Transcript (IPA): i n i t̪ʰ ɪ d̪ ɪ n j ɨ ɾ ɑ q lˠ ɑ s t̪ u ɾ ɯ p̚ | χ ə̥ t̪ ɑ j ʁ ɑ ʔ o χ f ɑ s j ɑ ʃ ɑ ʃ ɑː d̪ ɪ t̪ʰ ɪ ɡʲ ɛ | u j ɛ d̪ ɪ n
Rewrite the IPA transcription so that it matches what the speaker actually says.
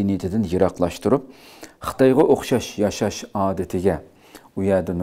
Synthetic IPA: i n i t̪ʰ ɪ d̪ ɪ n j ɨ ɾ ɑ q lˠ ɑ ʃ t̪ u ɾ u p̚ | χ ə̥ t̪ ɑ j ʁ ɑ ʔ o χ ʃ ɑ ʃ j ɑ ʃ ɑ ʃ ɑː d̪ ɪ t̪ʰ ɪ ɡʲ ɛ | u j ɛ d̪ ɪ n